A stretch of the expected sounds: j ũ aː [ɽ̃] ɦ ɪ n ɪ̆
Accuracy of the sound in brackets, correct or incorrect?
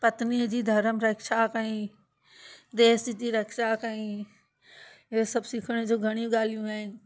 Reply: incorrect: none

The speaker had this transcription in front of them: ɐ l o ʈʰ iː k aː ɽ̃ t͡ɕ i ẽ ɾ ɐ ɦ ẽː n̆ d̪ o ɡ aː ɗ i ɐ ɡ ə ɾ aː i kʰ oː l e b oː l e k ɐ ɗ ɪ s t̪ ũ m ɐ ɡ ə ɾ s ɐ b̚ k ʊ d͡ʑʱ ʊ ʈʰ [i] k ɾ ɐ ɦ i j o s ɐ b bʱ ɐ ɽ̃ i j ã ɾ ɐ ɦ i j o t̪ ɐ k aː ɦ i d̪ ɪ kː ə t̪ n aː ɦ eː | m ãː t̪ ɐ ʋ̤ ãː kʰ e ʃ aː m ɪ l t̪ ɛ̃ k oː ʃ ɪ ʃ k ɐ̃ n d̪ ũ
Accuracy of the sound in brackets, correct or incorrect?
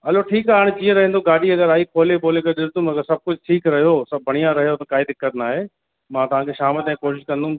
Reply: incorrect: iː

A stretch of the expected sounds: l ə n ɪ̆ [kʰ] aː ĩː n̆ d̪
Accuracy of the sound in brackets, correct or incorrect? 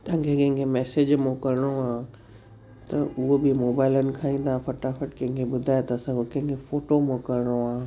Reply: correct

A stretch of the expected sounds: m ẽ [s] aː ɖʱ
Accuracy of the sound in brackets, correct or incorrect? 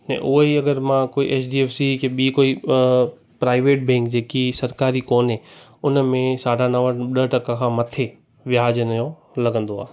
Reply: correct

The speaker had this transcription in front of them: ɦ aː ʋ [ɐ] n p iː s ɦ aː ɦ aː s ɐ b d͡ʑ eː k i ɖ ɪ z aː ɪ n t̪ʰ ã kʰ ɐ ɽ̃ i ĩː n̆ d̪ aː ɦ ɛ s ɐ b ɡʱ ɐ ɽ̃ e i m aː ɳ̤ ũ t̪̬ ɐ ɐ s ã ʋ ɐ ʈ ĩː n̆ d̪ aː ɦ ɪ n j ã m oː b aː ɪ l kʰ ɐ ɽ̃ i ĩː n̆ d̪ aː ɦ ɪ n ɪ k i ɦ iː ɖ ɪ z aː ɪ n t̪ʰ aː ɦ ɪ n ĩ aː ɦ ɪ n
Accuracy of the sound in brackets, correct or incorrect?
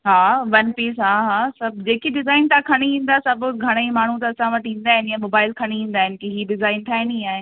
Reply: correct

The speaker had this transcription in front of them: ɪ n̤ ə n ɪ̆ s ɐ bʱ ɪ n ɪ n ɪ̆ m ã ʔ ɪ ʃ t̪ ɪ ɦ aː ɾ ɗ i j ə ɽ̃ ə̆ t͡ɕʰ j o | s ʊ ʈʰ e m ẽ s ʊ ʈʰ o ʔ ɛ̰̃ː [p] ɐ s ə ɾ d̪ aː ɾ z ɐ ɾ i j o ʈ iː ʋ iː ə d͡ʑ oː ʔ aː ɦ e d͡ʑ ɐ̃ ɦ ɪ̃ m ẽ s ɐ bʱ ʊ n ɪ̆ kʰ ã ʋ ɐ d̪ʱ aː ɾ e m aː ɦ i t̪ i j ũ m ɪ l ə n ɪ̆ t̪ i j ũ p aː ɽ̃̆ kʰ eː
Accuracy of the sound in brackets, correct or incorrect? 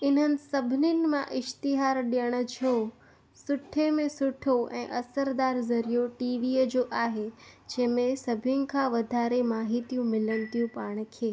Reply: incorrect: ʔ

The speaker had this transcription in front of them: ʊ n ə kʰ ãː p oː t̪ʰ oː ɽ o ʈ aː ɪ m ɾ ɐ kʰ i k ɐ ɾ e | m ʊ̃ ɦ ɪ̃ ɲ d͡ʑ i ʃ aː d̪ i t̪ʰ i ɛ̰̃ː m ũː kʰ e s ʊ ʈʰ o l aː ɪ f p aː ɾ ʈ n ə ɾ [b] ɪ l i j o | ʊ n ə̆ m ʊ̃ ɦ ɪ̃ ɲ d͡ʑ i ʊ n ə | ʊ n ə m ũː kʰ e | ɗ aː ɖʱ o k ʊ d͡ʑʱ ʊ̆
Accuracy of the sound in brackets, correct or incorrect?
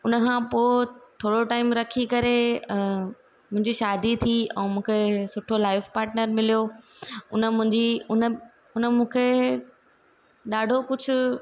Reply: incorrect: m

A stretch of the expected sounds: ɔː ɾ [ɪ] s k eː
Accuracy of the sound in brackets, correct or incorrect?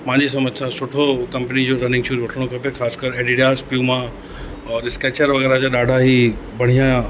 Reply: correct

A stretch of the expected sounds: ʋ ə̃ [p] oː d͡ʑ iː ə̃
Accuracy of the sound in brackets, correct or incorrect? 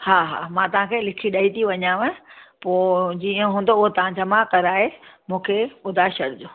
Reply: correct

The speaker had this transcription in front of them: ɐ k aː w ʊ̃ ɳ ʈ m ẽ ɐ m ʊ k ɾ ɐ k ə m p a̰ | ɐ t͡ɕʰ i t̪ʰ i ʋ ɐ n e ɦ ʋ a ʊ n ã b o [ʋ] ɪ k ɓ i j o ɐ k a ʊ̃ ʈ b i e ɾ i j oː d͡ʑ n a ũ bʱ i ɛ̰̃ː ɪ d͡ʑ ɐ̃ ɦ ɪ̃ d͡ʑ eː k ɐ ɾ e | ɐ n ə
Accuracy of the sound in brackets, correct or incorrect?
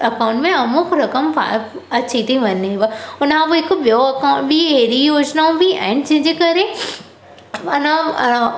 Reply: incorrect: none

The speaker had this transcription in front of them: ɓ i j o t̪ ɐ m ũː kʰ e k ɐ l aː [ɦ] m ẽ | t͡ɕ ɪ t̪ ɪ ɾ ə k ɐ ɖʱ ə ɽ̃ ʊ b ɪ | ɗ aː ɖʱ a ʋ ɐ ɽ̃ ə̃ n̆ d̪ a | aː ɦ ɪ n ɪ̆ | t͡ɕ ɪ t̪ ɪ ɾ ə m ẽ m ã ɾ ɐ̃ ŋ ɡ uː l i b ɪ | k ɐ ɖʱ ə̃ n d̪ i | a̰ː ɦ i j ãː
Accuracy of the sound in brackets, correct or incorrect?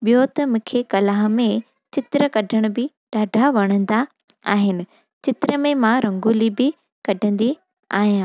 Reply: correct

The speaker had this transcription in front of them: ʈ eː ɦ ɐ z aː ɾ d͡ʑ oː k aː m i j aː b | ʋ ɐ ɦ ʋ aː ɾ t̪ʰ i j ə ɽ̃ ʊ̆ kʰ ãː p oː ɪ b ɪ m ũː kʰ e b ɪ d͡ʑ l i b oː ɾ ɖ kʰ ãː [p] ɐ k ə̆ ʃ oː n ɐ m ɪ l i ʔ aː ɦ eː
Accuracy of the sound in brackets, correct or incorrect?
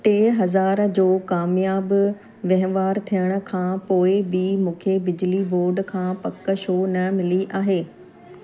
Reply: correct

